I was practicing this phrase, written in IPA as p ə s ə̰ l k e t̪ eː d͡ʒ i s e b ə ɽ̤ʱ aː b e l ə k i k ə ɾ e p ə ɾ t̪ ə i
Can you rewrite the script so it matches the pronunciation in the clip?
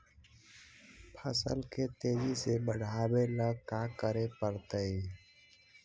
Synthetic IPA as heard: pʰ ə s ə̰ l k e t̪ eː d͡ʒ i s e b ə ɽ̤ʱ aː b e l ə k a k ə ɾ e p ə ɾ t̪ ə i